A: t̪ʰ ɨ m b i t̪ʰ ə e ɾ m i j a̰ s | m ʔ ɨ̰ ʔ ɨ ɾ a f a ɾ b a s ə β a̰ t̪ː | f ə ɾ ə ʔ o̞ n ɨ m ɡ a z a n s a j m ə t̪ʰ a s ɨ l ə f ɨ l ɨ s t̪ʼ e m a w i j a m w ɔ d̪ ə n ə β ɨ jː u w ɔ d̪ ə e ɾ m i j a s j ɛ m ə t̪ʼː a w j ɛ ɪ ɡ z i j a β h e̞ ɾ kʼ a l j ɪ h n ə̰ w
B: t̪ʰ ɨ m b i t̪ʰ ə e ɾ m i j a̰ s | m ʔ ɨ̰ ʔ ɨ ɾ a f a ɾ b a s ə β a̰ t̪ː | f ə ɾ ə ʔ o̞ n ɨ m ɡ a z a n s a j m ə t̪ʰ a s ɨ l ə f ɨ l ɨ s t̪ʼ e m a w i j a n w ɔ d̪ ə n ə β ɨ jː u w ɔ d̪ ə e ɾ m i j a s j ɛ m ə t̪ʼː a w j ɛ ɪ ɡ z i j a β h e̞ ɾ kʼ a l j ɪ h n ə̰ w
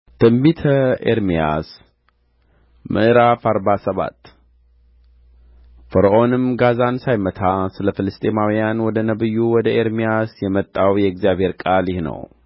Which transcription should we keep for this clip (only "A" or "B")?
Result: B